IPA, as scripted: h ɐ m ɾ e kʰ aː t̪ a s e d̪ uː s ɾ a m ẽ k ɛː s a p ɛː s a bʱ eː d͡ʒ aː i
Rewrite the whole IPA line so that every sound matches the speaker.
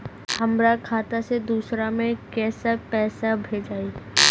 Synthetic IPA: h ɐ m ɾ a kʰ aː t̪ a s e d̪ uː s ɾ a m ẽ k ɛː s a p ɛː s a bʱ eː d͡ʒ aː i